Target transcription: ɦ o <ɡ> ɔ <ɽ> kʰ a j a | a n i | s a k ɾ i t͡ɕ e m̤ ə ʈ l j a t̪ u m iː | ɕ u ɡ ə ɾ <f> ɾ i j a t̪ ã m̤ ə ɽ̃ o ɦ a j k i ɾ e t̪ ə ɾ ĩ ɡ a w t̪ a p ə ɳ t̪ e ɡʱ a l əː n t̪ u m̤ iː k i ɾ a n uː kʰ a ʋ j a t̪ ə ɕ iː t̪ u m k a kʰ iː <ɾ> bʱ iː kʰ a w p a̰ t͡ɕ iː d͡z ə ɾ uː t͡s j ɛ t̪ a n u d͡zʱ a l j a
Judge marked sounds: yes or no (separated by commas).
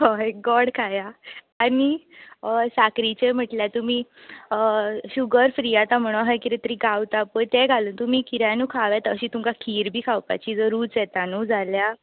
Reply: yes, yes, yes, yes